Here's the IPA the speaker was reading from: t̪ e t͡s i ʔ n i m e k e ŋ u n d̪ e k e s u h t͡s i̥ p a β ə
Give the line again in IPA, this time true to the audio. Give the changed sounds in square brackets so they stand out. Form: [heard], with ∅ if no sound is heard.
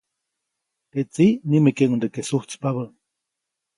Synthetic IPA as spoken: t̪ e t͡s i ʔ n i m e k e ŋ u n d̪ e k e s u h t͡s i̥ p a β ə